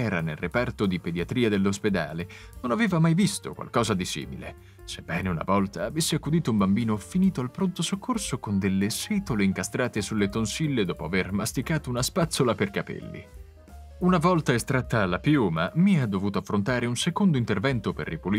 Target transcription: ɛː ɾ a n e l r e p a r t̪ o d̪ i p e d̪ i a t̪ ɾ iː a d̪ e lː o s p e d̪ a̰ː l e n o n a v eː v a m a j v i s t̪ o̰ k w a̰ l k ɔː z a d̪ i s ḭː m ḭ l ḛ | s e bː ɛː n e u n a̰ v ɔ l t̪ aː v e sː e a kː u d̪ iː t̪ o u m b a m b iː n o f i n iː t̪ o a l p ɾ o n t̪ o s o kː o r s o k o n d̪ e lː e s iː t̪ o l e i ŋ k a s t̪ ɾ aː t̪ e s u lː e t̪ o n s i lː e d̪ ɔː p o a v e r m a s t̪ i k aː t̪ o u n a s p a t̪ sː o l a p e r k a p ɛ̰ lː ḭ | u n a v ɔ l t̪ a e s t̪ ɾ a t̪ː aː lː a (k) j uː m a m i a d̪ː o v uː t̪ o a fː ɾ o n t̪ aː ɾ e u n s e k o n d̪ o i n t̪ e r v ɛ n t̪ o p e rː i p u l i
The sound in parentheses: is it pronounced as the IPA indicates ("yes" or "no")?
no